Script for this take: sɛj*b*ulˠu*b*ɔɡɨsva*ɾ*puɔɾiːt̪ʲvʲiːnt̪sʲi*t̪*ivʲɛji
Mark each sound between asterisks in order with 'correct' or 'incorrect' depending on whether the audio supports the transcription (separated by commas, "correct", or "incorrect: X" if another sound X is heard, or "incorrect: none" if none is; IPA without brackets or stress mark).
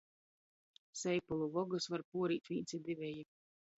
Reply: incorrect: p, incorrect: v, correct, incorrect: d̪